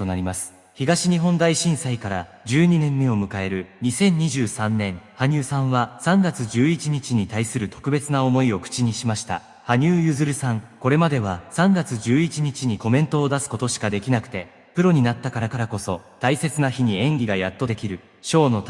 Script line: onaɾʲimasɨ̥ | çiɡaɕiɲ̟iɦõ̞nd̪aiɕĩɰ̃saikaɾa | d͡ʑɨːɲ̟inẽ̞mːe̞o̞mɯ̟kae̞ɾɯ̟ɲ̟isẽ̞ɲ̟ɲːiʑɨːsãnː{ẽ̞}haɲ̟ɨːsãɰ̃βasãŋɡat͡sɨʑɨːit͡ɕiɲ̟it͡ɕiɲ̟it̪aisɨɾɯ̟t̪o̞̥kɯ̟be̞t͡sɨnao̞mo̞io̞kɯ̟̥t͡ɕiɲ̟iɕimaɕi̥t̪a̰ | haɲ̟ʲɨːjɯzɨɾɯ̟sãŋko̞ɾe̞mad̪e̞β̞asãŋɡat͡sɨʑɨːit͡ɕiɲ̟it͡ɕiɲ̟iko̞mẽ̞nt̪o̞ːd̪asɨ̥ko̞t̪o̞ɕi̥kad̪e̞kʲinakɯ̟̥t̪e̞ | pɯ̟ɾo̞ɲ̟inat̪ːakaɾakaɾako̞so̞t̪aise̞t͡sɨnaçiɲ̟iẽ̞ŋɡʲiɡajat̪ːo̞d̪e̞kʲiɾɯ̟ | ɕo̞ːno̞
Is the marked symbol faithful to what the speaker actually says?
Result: yes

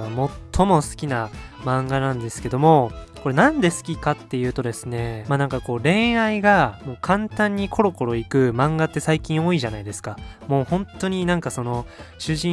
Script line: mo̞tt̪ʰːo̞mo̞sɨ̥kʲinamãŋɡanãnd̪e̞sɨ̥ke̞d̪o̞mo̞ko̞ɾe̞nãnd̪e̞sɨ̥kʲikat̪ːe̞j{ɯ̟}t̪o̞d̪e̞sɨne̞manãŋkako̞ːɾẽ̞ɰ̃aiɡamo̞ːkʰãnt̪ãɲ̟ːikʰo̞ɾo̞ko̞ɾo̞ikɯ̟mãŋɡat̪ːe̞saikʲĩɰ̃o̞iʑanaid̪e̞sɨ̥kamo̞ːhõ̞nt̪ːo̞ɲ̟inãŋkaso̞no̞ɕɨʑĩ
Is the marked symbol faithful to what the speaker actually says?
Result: no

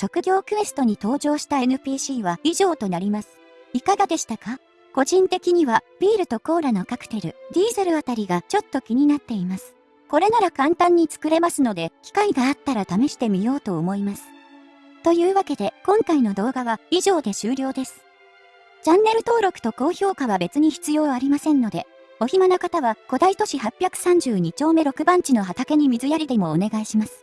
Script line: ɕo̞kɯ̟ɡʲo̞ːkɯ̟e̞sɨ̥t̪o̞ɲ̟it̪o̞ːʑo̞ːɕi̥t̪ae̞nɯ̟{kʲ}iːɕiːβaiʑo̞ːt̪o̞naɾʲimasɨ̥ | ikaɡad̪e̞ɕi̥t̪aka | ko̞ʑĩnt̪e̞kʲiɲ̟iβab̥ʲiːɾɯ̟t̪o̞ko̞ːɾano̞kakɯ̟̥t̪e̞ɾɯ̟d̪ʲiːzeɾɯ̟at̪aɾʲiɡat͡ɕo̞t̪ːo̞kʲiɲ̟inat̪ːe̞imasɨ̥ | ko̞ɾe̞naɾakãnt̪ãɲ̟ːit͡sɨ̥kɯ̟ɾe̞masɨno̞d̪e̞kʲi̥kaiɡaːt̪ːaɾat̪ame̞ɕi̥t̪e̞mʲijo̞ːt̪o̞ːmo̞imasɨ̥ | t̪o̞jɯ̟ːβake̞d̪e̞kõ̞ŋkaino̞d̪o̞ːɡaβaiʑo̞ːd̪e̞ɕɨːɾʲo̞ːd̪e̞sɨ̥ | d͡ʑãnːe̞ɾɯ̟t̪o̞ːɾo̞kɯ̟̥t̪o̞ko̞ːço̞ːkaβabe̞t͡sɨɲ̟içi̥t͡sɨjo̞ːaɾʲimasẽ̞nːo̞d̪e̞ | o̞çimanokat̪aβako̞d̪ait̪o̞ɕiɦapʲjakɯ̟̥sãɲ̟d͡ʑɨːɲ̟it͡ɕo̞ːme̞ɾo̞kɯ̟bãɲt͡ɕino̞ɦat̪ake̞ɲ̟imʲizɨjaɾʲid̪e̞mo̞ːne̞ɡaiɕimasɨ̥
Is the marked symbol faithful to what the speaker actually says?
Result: no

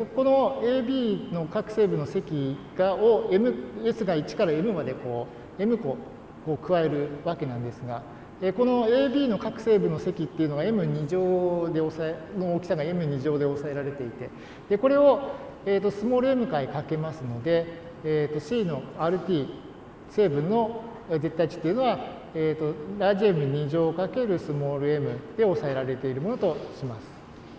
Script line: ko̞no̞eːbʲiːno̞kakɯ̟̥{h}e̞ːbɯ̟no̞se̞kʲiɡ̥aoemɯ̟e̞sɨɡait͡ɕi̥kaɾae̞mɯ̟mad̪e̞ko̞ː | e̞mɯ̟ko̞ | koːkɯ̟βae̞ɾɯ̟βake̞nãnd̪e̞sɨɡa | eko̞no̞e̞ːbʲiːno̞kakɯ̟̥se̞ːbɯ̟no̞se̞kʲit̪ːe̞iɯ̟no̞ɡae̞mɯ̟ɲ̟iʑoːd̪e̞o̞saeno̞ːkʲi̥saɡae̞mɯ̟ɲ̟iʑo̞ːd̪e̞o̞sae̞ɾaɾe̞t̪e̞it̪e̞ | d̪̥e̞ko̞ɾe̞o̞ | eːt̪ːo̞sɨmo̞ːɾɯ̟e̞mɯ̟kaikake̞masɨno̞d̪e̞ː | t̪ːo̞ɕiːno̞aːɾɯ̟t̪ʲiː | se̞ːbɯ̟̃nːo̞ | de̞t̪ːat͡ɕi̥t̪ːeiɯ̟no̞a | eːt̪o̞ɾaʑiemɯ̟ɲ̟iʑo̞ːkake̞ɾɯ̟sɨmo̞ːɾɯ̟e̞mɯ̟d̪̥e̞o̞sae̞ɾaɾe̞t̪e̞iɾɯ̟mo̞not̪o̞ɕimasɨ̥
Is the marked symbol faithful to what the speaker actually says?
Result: no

